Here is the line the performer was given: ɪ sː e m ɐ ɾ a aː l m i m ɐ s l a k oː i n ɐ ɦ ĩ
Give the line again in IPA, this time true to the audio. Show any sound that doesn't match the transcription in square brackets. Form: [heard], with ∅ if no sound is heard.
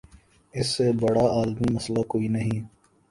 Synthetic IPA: ɪ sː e [b] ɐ [ɽ] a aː l m i m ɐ s l a k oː i n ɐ ɦ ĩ

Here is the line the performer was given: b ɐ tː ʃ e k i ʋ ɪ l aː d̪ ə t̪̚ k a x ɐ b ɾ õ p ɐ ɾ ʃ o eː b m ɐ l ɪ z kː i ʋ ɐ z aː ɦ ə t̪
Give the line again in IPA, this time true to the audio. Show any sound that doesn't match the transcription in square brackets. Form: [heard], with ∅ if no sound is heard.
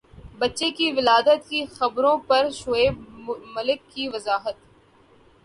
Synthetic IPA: b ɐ tː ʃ e k i ʋ ɪ l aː d̪ ə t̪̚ k [i] x ɐ b ɾ õ p ɐ ɾ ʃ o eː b m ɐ l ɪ [∅] kː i ʋ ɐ z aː ɦ ə t̪

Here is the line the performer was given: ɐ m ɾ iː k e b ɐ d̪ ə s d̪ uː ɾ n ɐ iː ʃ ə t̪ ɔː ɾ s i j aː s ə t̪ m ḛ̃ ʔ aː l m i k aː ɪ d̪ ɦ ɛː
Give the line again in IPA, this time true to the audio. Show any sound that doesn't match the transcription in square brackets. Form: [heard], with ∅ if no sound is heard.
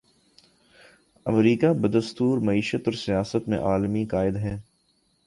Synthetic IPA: ɐ m ɾ iː k [a] b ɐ d̪ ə s [t̪] uː ɾ [m] ɐ iː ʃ ə t̪ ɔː ɾ s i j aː s ə t̪ m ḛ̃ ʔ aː l m i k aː ɪ d̪ ɦ ɛː

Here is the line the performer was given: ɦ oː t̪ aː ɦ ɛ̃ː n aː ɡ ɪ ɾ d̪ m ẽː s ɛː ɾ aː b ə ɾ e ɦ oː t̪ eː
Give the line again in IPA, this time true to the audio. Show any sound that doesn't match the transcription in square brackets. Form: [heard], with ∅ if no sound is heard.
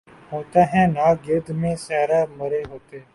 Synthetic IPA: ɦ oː t̪ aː ɦ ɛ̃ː n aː ɡ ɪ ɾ d̪ m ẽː s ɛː ɾ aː [m] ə ɾ e ɦ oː t̪ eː

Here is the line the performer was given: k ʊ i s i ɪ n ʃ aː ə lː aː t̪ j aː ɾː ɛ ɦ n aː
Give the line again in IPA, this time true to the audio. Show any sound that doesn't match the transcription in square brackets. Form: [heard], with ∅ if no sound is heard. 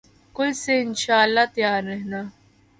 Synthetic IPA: k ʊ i s [e] ɪ n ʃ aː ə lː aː t̪ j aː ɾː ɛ ɦ n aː

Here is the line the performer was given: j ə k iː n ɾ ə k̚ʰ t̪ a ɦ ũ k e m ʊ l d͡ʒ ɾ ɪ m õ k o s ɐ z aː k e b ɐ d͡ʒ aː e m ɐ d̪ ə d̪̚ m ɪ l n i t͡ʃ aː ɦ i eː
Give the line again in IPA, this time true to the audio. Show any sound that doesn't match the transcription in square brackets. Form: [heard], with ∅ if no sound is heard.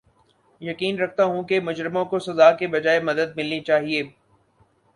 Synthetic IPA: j [ɐ] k iː n ɾ [ɐ] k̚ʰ t̪ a ɦ ũ k e m ʊ [∅] d͡ʒ ɾ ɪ m õ k o s ɐ z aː k e b ɐ d͡ʒ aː e m ɐ d̪ ə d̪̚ m ɪ l n i t͡ʃ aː ɦ i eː

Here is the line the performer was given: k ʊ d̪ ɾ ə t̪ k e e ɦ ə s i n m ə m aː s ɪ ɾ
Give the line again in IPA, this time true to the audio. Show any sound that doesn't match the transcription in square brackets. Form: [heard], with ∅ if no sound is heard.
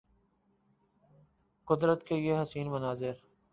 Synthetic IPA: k ʊ d̪ ɾ ə t̪ k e e ɦ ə s [iː] n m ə [n] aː [z] ɪ ɾ

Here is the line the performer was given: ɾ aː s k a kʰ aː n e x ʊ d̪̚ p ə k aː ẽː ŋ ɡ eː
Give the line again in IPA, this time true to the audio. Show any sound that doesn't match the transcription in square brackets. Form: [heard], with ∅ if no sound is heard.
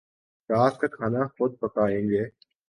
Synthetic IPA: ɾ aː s k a kʰ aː n [a] x ʊ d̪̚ p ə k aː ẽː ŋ ɡ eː

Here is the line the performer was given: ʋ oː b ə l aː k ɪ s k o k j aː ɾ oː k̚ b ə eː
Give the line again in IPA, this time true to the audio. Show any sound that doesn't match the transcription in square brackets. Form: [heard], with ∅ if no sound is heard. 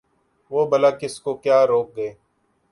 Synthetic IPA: ʋ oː b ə l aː k ɪ s k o k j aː ɾ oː k̚ [ɡ] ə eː

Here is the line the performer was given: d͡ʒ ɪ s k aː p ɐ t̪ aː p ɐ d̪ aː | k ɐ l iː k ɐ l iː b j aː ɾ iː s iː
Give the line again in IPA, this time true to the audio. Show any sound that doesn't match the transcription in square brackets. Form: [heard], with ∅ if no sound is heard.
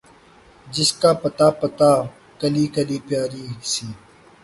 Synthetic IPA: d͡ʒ ɪ s k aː p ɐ t̪ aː p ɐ [t̪] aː | k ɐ l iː k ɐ l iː [p] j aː ɾ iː s iː

